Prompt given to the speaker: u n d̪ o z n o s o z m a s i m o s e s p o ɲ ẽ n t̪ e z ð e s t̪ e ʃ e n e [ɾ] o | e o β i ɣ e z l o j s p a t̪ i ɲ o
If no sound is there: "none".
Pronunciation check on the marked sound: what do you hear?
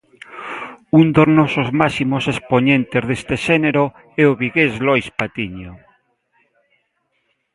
ɾ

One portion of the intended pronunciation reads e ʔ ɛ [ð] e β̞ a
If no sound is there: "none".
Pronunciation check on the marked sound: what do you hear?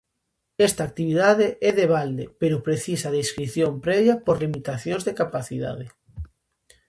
ð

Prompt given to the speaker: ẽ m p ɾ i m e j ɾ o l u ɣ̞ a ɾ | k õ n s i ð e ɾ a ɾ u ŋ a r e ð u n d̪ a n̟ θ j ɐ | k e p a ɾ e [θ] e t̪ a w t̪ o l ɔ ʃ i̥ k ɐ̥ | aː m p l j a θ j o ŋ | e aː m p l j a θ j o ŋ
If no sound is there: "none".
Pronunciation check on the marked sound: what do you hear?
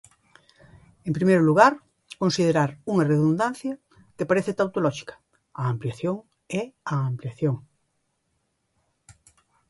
θ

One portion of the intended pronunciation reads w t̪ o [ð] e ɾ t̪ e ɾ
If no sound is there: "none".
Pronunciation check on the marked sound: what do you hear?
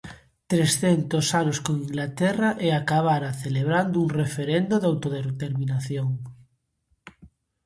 ð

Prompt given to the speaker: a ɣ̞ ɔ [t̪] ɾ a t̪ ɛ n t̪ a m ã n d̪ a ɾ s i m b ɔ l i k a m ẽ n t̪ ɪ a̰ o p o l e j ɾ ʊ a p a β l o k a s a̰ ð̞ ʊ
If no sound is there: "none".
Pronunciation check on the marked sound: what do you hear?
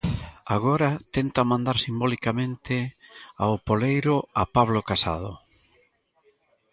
none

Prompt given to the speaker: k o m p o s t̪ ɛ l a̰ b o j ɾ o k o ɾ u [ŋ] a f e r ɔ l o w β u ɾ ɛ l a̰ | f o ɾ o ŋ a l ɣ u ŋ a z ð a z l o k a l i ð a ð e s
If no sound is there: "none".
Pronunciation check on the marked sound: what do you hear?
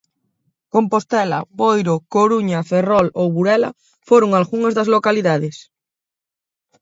ɲ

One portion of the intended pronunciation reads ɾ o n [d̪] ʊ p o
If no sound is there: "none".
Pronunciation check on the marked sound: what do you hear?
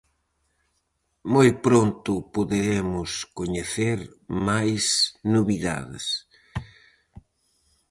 t̪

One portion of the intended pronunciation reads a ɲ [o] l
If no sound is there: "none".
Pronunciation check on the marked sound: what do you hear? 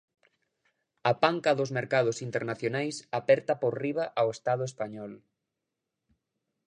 ɔ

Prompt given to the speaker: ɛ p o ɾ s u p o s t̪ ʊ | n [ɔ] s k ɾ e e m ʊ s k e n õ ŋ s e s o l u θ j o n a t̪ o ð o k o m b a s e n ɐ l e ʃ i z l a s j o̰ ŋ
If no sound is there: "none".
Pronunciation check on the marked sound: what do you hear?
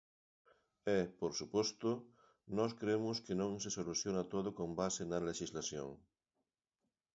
ɔ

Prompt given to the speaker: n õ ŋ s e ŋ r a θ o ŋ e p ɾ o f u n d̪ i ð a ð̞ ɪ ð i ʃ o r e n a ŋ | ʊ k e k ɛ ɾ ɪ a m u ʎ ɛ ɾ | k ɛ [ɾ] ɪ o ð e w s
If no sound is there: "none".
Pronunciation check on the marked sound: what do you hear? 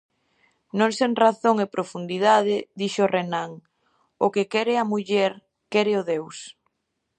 ɾ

